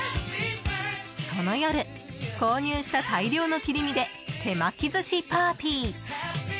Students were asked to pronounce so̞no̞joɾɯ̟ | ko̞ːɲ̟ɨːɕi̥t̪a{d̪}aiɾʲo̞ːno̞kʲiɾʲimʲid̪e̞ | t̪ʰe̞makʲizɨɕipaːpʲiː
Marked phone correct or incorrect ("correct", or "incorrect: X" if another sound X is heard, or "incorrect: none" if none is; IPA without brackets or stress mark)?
incorrect: t̪